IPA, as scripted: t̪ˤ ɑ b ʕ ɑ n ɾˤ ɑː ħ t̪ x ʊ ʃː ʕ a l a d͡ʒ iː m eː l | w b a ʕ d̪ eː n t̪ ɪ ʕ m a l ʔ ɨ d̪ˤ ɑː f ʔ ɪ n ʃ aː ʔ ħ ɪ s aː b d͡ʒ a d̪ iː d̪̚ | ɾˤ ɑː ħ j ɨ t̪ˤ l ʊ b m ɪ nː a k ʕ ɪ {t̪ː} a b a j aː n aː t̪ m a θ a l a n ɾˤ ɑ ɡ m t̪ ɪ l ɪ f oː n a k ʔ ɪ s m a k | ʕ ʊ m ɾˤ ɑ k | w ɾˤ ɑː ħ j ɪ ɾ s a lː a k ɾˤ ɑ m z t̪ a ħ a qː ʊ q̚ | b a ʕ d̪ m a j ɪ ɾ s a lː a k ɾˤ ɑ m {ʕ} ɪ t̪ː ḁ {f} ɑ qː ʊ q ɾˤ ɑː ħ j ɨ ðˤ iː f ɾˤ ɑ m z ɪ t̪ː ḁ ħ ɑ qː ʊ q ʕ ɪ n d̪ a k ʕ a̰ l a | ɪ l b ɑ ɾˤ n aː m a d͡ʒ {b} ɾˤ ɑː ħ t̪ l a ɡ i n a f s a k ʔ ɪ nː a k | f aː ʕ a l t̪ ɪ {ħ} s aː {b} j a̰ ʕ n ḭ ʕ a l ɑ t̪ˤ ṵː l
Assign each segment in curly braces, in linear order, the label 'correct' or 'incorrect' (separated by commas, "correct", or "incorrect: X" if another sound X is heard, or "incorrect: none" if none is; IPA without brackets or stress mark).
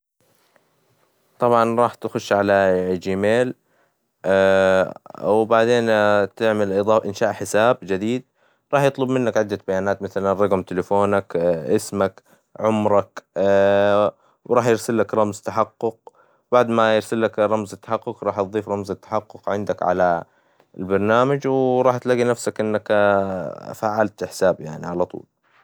incorrect: d̪ː, incorrect: z, incorrect: ħ, incorrect: w, correct, correct